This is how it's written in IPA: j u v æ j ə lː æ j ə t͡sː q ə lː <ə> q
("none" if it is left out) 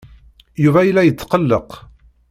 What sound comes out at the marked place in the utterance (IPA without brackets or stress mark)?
ə